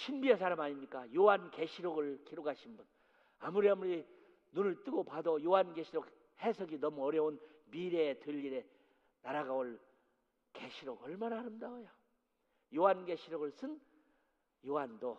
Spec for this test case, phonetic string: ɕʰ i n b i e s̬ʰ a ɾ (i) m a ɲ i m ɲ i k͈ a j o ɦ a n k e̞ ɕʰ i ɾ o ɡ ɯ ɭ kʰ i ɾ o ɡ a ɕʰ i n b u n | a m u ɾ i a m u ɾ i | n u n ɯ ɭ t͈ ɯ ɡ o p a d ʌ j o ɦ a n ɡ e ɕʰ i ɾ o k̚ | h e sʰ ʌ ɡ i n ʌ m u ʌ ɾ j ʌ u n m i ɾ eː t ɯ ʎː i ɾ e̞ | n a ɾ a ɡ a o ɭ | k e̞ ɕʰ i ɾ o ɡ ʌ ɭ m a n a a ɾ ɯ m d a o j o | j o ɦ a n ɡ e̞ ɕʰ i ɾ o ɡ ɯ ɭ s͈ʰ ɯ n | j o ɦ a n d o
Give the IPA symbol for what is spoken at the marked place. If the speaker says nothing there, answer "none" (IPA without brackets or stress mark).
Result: a